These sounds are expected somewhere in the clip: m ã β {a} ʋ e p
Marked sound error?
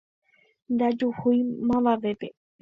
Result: no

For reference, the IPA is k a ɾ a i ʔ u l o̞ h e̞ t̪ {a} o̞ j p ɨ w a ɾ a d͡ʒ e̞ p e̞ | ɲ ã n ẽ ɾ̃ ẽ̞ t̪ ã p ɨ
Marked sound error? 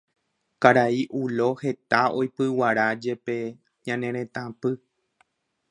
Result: no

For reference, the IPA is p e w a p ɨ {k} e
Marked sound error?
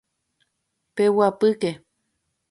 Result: no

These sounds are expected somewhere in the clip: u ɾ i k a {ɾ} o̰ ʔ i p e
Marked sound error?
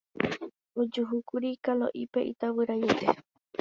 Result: yes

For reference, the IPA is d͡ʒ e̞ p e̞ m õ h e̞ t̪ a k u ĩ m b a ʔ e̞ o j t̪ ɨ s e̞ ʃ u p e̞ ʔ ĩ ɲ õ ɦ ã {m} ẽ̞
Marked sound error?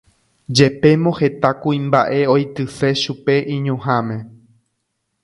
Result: no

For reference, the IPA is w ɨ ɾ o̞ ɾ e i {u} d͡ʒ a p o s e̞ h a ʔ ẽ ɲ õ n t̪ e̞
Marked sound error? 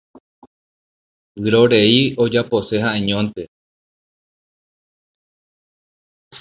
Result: yes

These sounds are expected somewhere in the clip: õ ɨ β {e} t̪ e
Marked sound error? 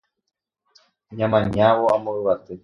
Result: yes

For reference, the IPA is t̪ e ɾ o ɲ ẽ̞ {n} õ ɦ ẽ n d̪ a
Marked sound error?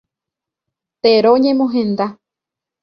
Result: yes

